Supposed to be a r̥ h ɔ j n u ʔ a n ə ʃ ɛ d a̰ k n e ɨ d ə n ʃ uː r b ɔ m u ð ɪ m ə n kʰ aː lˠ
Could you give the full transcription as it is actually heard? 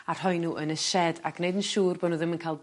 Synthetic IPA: a r̥ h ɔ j n u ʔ ə n ə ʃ ɛ d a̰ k n e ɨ d ə n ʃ uː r b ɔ n u ð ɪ m ə n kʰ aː lˠ